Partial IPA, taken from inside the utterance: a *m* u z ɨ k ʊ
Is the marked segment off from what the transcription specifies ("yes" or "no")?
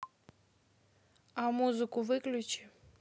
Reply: no